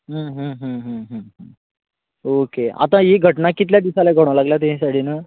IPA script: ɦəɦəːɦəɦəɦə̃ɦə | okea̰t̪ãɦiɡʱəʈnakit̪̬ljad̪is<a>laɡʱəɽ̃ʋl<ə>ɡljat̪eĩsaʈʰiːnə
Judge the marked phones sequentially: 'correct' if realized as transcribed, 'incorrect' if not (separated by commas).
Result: correct, incorrect